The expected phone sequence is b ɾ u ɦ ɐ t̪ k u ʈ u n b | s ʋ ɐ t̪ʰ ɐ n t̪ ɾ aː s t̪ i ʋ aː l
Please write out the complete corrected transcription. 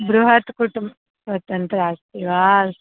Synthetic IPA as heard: b ɾ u ɦ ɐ t̪ k u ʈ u m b | s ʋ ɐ t̪ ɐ n t̪ ɾ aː s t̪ i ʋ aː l